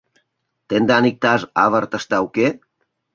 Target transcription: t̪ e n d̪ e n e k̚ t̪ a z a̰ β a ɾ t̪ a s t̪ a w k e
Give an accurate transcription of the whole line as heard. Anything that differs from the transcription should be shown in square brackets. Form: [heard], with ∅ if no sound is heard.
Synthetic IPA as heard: t̪ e n d̪ [a] n [i] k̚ t̪ a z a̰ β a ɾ t̪ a s t̪ a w k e